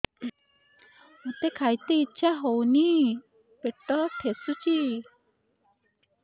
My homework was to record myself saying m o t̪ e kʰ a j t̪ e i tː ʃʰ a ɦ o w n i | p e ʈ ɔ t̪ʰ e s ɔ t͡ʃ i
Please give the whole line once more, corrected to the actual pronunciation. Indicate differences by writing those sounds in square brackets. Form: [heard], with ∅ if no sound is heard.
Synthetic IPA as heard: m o t̪ e kʰ a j t̪ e i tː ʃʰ a ɦ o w n i | p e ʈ ɔ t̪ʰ e s [u] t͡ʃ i